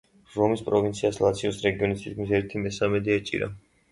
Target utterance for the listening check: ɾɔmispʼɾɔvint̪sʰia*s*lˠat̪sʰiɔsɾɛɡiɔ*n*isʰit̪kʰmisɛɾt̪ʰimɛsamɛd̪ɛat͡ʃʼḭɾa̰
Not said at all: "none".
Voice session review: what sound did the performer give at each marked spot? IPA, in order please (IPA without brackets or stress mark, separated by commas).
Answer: s, n